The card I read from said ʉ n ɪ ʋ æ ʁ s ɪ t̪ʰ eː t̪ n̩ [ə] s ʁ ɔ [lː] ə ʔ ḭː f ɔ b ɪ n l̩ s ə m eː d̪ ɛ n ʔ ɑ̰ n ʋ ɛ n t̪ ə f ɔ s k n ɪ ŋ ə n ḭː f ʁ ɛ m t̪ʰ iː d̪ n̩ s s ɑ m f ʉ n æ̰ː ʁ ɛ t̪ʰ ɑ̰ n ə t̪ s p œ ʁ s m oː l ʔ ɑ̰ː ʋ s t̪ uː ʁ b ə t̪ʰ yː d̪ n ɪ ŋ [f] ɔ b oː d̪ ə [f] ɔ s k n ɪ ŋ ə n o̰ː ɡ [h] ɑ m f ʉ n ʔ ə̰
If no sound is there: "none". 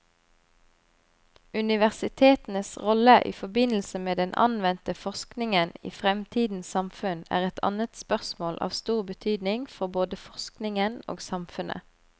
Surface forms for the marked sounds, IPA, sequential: ə, l, f, f, s

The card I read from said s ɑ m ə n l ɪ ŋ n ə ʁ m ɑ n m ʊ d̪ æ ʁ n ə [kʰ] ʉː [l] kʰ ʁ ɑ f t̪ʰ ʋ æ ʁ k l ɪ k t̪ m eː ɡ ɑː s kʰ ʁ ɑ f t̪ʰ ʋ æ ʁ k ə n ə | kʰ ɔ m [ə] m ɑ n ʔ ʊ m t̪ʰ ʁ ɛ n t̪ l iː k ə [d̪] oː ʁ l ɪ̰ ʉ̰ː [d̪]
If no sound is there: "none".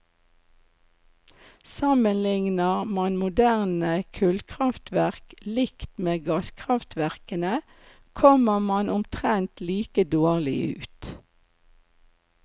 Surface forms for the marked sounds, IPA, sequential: kʰ, l, ə, d̪, t̪

